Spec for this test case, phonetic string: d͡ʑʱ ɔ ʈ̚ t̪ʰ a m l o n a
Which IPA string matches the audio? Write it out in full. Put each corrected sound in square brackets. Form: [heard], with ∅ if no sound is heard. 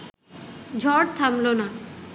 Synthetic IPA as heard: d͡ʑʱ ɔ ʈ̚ t̪ʰ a m l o n a